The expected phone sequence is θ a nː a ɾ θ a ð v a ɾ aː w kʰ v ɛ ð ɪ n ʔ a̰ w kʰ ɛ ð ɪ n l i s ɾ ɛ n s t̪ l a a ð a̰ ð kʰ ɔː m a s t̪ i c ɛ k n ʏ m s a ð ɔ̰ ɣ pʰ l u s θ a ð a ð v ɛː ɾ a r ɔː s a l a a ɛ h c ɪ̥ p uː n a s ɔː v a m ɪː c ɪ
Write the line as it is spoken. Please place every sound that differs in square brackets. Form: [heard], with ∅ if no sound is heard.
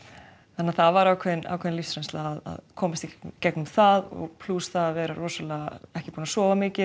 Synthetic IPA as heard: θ a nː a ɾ θ a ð v a ɾ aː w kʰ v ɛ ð ɪ n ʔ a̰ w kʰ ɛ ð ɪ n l i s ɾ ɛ n s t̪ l a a ð a̰ ð kʰ ɔː m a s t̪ i c ɛ k n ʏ m [θ] a ð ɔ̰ ɣ pʰ l u s θ a ð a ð v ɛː ɾ a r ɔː s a l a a ɛ h c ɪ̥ p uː n a s ɔː v a m ɪː c ɪ